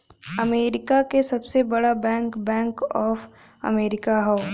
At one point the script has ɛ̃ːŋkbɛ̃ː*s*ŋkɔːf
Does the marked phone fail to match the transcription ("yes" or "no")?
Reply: yes